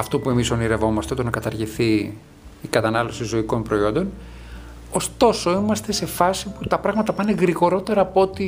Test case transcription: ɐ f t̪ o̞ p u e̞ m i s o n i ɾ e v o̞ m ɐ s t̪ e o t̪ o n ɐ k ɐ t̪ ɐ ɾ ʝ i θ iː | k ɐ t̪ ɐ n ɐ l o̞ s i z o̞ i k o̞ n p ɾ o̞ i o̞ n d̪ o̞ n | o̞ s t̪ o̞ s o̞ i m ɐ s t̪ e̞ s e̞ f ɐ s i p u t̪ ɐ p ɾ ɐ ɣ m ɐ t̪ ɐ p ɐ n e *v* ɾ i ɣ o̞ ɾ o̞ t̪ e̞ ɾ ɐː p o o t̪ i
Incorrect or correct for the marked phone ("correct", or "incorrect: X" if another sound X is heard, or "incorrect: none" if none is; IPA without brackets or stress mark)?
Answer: incorrect: ɣ